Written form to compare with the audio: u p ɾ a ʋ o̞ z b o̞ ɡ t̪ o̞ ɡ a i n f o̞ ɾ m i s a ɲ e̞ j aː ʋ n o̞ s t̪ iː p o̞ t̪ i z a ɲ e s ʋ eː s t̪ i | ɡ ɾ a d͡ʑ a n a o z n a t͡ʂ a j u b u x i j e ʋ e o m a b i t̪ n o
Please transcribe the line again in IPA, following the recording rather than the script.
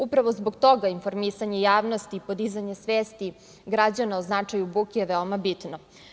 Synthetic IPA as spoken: u p ɾ a ʋ o̞ z b o̞ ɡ t̪ o̞ ɡ a i n f o̞ ɾ m i s a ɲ e̞ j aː ʋ n o̞ s t̪ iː p o̞ d̪ i z a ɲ e s ʋ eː s t̪ i | ɡ ɾ a d͡ʑ a n a o z n a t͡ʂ a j u b u k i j e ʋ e o m a b i t̪ n o

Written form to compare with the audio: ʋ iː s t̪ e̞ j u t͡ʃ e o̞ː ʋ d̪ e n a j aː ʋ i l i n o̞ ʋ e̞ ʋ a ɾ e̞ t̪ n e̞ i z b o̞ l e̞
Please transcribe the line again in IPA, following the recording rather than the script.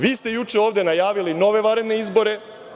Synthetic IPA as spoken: ʋ iː s t̪ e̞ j u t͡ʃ e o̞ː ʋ d̪ e n a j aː ʋ i l i n o̞ ʋ e̞ ʋ a ɾ e̞ d̪ n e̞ i z b o̞ ɾ e̞

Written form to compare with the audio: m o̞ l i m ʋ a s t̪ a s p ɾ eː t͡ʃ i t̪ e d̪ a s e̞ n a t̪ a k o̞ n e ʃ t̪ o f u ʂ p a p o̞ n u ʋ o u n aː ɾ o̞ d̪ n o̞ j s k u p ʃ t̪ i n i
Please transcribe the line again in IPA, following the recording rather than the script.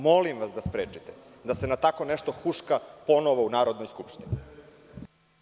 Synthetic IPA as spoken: m o̞ l i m ʋ a s d̪ a s p ɾ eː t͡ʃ i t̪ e d̪ a s e̞ n a t̪ a k o̞ n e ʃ t̪ o x u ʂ k a p o̞ n o ʋ o u n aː ɾ o̞ d̪ n o̞ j s k u p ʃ t̪ i n i

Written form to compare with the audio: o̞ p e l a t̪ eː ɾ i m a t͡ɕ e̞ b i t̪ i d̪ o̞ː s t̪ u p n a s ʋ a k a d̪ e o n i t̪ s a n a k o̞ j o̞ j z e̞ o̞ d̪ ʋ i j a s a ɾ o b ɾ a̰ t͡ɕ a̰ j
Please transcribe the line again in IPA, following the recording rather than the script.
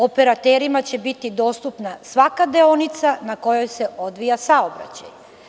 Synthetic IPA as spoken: o̞ p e ɾ a t̪ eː ɾ i m a t͡ɕ e̞ b i t̪ i d̪ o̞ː s t̪ u p n a s ʋ a k a d̪ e o n i t̪ s a n a k o̞ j o̞ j s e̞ o̞ d̪ ʋ i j a s a o b ɾ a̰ t͡ɕ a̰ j

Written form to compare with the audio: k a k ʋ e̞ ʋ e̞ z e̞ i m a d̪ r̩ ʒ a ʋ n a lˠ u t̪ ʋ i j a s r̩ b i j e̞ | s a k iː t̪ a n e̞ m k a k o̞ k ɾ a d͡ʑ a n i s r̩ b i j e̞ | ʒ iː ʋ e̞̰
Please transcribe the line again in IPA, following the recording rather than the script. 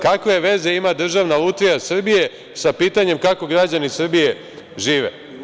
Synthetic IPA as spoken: k a k ʋ e̞ ʋ e̞ z e̞ i m a d̪ r̩ ʒ a ʋ n a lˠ u t̪ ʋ i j a s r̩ b i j e̞ | s a p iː t̪ a ɲ e̞ m k a k o̞ ɡ ɾ a d͡ʑ a n i s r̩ b i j e̞ | ʒ iː ʋ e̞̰

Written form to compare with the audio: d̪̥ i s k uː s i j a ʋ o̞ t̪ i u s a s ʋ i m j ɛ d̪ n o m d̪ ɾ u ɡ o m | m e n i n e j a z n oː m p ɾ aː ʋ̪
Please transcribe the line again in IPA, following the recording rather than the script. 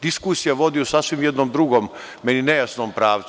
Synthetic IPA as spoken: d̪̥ i s k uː s i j a ʋ o̞ d̪ i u s a s ʋ i m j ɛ d̪ n o m d̪ ɾ u ɡ o m | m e n i n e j a s n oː m p ɾ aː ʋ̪

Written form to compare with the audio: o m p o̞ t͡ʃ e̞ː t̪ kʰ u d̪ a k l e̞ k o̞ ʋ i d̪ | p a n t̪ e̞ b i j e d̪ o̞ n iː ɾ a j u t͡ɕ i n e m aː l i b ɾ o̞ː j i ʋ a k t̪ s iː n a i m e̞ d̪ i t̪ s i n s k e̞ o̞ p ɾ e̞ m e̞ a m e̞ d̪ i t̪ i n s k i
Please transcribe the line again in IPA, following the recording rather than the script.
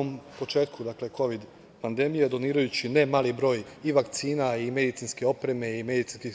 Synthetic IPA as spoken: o m p o̞ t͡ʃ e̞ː t̪ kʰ u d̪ a k l e̞ k o̞ ʋ i d̪ | p a n d̪ e̞ m i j e d̪ o̞ n iː ɾ a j u t͡ɕ i n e m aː l i b ɾ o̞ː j i ʋ a k t̪ s iː n a i m e̞ d̪ i t̪ s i n s k e̞ o̞ p ɾ e̞ m e̞ i m e̞ d̪ i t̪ i n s k i

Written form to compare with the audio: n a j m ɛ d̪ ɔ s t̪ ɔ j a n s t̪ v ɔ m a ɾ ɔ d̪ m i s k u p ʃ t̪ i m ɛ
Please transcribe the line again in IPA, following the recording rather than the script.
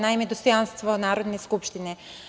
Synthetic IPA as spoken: n a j m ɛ d̪ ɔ s t̪ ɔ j a n s t̪ v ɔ n a ɾ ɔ d̪ n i s k u p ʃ t̪ i n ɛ

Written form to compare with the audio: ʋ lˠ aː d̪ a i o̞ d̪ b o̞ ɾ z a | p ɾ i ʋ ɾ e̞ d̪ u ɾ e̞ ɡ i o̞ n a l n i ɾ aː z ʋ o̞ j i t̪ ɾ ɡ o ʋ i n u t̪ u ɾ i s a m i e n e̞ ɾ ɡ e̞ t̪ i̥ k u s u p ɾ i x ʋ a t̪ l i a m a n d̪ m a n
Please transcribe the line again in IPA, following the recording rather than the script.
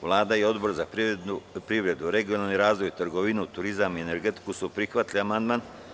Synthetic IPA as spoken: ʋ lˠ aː d̪ a i o̞ d̪ b o̞ ɾ z a | p ɾ i ʋ ɾ e̞ d̪ u ɾ e̞ ɡ i o̞ n a l n i ɾ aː z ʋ o̞ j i t̪ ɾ ɡ o ʋ i n u t̪ u ɾ i z a m i e n e̞ ɾ ɡ e̞ t̪ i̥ k u s u p ɾ i x ʋ a t̪ l i a m a n d̪ m a n

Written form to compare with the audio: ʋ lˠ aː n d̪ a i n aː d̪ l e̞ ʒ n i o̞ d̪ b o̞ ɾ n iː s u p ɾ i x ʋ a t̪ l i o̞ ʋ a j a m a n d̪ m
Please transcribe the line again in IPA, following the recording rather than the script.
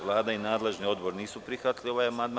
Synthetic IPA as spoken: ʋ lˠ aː d̪ a i n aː d̪ l e̞ ʒ n i o̞ d̪ b o̞ ɾ n iː s u p ɾ i x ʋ a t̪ l i o̞ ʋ a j a m a n d̪ m

